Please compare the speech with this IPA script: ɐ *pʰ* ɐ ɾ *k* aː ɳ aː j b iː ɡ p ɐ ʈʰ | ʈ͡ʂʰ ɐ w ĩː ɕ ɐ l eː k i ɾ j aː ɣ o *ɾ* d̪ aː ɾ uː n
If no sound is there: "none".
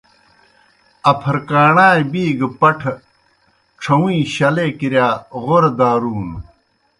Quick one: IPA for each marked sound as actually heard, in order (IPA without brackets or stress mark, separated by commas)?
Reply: pʰ, k, ɾ